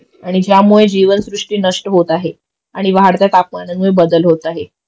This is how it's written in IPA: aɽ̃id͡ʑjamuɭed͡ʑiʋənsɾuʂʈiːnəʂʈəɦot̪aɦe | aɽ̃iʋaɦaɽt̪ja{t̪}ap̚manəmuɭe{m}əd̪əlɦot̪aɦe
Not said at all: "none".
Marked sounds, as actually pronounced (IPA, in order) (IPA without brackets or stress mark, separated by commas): t̪, b